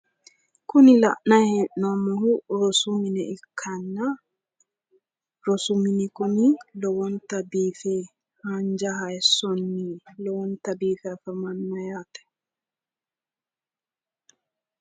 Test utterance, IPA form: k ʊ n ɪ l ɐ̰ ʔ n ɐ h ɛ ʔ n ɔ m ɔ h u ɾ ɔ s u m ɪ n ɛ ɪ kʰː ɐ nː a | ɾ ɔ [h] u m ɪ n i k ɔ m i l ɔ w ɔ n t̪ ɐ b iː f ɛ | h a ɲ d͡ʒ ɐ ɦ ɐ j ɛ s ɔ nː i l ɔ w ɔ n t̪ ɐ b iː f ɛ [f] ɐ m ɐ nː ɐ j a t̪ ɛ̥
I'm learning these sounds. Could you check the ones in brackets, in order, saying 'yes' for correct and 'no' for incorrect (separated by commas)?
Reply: no, yes